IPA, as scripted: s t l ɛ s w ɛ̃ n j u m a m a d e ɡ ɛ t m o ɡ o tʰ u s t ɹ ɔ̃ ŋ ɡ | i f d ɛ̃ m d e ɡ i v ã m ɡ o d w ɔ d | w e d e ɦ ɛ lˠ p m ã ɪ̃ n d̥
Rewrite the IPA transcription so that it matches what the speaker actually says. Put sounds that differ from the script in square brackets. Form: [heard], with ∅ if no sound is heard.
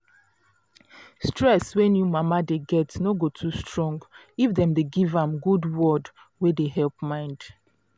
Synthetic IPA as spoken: s t [ɹ] ɛ s w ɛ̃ n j u m a m a d e ɡ ɛ t [n] o ɡ o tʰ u s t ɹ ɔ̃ ŋ ɡ | i f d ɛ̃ m d e ɡ i v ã m ɡ [u] d w ɔ d | w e d e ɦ ɛ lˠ p m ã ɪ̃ n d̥